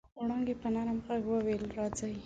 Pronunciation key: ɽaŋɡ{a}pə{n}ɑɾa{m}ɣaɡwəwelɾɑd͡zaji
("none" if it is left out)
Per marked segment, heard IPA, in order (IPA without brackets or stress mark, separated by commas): e, n, m